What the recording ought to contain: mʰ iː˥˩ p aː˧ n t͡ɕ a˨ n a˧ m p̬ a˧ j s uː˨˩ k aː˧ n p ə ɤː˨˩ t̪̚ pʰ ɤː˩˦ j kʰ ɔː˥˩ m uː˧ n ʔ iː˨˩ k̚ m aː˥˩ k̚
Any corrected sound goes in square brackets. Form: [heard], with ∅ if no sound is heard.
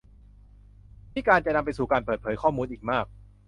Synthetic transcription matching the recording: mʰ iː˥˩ [k] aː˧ n t͡ɕ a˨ n a˧ m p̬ a˧ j s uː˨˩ k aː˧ n p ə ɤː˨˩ t̪̚ pʰ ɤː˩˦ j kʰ ɔː˥˩ m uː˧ n ʔ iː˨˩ k̚ m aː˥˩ k̚